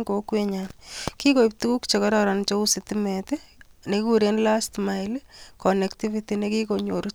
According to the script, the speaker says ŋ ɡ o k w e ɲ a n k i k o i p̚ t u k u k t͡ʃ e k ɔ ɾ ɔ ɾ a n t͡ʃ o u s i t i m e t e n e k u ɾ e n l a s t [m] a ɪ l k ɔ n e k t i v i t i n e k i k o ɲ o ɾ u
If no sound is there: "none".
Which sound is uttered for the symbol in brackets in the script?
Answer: m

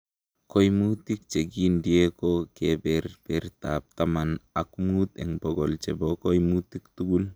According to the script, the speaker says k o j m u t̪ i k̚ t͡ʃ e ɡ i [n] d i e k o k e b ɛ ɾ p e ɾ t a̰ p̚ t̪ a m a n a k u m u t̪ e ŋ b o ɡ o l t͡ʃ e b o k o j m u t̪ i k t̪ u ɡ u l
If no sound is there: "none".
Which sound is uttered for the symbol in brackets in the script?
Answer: n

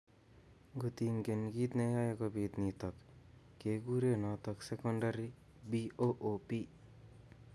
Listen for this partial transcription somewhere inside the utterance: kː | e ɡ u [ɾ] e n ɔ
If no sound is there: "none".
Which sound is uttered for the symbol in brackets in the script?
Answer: ɾ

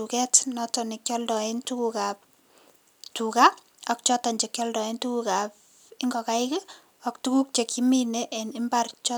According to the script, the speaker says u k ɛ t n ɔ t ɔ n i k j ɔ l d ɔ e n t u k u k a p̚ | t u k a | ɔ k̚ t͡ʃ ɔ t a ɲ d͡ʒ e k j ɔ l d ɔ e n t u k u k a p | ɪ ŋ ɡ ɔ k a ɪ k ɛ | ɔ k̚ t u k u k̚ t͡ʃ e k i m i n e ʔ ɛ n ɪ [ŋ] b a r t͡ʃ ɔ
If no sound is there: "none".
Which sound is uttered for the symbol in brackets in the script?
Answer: m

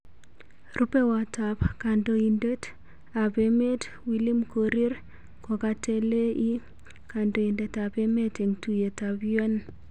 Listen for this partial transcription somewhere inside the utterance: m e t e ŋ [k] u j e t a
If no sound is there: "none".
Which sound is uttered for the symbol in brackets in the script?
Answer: t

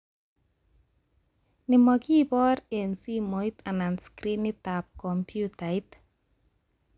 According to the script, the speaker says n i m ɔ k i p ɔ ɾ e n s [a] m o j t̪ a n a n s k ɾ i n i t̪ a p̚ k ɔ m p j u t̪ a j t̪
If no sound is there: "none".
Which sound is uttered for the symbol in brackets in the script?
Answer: i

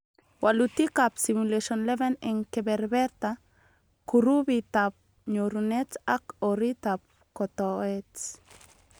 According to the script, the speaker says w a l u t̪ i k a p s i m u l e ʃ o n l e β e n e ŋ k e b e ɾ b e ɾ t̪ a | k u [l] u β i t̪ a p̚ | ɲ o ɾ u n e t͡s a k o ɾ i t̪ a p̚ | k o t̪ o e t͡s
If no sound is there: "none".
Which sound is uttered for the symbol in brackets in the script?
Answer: ɾ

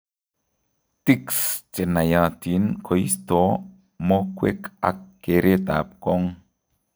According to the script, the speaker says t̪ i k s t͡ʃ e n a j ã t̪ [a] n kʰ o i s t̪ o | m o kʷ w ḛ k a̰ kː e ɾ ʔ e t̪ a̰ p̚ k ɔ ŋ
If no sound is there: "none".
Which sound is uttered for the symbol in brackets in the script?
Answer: i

